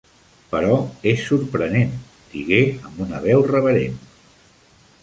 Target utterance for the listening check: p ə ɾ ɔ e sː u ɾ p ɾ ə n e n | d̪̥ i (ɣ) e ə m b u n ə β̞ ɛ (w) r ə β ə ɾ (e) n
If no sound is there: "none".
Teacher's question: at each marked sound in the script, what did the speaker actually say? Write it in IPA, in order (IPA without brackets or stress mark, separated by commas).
ɣ, w, e